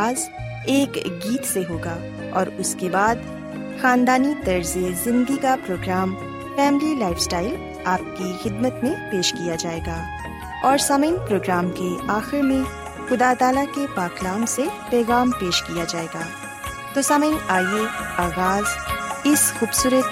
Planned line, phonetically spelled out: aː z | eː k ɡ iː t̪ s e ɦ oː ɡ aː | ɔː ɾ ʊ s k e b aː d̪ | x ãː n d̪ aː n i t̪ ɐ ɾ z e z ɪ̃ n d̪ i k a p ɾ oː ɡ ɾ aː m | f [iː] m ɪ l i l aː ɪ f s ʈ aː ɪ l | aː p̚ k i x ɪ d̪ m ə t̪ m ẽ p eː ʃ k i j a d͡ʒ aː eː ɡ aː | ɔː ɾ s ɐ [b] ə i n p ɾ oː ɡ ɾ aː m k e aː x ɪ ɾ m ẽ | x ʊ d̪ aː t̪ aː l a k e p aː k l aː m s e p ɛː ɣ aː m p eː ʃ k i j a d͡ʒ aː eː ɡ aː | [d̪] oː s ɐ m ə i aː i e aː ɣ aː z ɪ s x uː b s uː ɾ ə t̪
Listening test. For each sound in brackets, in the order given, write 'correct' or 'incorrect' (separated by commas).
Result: incorrect, incorrect, incorrect